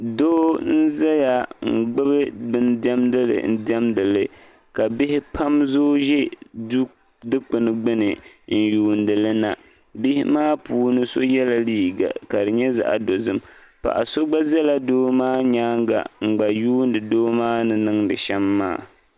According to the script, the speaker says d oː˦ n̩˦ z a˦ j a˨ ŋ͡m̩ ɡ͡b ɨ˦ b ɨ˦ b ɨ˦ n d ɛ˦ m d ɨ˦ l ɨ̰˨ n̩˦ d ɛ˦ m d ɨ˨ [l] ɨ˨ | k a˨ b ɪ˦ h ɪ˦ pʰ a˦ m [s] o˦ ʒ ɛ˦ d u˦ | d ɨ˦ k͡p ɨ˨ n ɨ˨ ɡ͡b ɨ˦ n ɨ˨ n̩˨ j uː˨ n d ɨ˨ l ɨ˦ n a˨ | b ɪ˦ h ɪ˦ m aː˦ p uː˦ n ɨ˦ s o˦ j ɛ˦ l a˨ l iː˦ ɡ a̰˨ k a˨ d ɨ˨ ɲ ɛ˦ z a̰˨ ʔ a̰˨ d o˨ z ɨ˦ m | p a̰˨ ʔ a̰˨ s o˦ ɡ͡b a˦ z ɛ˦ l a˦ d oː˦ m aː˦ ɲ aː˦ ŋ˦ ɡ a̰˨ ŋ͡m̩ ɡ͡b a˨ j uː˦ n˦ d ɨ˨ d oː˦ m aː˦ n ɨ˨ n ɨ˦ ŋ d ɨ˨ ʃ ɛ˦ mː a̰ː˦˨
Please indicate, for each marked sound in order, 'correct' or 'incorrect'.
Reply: correct, incorrect

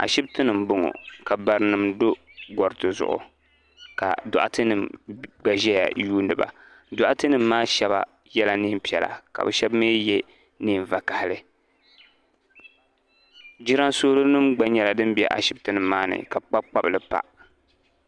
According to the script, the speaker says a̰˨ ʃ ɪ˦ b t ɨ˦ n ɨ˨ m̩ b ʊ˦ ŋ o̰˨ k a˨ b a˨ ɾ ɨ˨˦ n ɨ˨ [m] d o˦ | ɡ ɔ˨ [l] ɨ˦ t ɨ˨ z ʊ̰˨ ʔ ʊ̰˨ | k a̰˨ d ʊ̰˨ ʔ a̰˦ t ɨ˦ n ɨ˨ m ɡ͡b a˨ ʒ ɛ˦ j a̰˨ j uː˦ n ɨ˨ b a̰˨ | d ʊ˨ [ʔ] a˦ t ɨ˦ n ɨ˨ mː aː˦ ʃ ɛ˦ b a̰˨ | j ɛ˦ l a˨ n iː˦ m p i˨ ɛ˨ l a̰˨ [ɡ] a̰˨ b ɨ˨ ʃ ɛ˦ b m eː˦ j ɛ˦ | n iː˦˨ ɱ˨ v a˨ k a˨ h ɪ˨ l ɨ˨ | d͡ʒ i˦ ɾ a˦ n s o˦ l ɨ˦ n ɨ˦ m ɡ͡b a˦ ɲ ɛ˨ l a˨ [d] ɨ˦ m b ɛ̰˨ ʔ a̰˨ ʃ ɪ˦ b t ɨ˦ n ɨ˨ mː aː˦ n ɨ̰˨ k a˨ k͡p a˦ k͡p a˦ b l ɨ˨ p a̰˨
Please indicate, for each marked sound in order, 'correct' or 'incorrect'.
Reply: correct, incorrect, correct, incorrect, correct

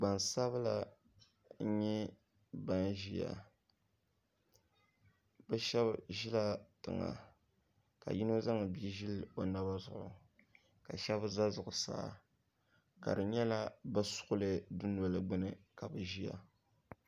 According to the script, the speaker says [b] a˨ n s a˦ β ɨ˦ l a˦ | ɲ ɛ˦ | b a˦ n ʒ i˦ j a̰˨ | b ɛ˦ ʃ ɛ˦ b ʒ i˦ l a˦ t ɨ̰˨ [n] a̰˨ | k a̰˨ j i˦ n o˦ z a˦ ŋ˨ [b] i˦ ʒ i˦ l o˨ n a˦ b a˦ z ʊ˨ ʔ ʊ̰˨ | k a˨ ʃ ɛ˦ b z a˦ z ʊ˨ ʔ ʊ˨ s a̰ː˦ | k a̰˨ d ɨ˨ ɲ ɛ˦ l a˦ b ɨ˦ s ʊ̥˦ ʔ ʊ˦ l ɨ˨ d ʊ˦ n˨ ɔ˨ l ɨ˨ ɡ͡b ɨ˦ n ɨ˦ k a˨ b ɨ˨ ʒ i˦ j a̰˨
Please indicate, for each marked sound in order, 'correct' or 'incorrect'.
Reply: incorrect, incorrect, correct

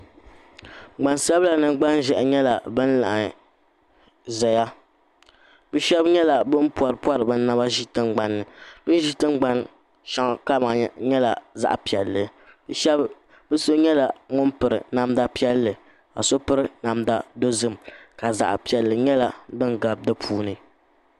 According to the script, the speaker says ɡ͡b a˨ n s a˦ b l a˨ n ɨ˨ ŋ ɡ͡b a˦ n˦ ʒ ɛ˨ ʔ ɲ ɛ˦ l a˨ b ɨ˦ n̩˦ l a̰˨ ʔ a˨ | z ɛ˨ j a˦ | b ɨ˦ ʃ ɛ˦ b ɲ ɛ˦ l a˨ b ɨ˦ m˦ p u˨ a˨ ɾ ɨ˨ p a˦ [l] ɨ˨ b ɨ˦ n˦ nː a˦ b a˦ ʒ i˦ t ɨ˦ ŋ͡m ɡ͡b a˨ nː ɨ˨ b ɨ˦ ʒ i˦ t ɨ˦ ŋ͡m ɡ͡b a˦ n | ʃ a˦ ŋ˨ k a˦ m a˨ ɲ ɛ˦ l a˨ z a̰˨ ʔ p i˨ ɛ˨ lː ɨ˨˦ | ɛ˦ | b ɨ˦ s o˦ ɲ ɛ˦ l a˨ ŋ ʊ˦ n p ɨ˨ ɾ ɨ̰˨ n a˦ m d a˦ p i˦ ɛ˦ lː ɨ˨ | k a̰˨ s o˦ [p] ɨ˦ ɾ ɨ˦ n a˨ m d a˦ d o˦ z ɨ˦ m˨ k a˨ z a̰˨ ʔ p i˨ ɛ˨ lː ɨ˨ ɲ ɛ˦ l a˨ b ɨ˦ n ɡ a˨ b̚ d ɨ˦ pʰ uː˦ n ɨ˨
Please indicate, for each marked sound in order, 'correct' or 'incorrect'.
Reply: incorrect, correct

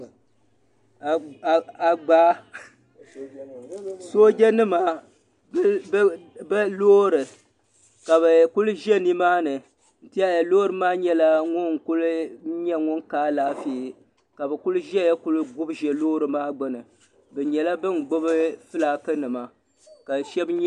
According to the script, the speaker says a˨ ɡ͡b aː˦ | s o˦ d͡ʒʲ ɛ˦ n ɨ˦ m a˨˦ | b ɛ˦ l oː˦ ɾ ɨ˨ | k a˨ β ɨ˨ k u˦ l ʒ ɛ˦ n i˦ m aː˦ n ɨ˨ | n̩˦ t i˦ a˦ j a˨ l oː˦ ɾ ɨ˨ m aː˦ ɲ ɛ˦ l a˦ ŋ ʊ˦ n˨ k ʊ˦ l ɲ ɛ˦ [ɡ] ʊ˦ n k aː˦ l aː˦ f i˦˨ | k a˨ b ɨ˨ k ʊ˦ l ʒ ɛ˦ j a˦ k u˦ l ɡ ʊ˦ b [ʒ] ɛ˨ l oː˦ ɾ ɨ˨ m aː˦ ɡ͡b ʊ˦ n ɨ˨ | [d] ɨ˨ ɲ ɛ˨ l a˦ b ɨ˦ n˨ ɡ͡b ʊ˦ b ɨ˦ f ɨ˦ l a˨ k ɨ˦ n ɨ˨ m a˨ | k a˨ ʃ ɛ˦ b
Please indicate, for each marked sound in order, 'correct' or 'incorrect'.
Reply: incorrect, correct, incorrect

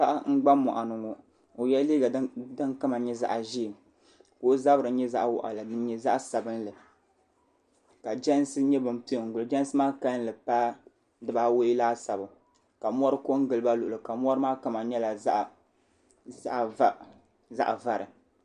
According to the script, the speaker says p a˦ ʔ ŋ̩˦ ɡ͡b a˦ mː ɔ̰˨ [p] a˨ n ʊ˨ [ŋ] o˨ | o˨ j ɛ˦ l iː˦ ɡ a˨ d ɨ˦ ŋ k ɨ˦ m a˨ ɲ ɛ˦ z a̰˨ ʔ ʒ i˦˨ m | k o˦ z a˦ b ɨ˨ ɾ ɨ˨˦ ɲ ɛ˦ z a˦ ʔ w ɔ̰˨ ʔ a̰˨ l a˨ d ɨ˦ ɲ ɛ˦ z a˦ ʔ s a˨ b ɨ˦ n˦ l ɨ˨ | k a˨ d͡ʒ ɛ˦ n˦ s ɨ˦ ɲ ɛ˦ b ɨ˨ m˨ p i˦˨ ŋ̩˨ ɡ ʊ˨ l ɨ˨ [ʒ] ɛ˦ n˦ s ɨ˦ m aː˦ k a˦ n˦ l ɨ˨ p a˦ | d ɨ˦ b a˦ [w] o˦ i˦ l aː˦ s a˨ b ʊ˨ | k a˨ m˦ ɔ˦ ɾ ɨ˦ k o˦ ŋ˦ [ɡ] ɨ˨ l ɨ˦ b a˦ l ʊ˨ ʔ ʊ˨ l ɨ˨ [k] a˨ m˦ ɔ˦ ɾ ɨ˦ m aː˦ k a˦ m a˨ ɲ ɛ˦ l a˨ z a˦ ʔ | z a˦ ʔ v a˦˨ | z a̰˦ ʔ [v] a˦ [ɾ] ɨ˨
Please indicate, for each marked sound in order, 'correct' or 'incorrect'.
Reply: incorrect, correct, incorrect, correct, correct, correct, correct, correct

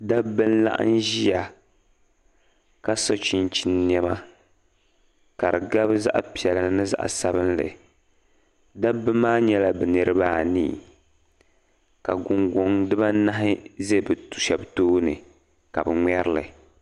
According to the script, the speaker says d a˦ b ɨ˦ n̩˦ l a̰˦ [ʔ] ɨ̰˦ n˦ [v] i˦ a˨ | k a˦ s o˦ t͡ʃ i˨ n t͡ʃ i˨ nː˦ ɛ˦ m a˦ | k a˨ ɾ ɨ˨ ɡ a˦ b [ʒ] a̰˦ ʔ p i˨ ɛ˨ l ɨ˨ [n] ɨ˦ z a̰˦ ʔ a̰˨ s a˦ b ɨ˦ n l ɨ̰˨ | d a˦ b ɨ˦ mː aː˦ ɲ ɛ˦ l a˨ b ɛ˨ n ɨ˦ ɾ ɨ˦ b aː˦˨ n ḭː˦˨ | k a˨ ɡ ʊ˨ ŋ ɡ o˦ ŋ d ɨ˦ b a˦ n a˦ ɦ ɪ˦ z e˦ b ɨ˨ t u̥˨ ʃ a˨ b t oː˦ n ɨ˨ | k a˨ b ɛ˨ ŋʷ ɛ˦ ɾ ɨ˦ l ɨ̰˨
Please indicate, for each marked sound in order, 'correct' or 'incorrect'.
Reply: correct, incorrect, incorrect, correct

